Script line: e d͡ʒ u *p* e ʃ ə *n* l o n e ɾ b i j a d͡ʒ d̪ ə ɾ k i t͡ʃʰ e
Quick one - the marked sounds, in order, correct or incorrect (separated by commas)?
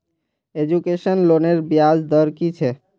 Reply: incorrect, correct